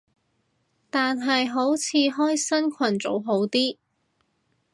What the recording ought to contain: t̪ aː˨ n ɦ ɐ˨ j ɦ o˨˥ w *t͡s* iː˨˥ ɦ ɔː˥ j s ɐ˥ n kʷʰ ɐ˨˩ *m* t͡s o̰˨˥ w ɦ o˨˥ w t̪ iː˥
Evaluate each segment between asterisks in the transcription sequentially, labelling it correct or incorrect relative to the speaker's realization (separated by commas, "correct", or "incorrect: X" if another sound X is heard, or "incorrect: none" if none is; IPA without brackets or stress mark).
incorrect: t͡sʰ, incorrect: n